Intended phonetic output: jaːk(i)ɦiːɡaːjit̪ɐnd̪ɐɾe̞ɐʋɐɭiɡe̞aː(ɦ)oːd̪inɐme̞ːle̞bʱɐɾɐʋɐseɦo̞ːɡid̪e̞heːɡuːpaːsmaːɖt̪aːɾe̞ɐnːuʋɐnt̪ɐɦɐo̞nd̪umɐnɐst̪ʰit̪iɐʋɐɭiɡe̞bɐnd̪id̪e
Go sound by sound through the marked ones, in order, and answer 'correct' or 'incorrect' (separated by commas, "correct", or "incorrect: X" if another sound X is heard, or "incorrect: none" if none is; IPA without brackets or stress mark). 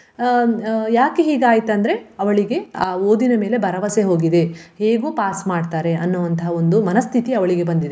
incorrect: e, incorrect: none